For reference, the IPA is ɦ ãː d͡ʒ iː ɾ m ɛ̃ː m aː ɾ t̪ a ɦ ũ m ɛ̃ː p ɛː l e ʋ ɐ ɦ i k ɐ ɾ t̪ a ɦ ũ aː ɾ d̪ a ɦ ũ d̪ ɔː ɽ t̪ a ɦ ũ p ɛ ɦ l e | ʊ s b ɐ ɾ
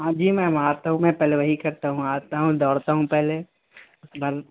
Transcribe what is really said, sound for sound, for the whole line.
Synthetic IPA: ɦ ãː d͡ʒ iː m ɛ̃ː m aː ɾ t̪ a ɦ ũ m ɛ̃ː p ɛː l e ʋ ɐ ɦ i k ɐ ɾ t̪ a ɦ ũ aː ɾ t̪ a ɦ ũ d̪ ɔː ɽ t̪ a ɦ ũ p ɛ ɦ l e | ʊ s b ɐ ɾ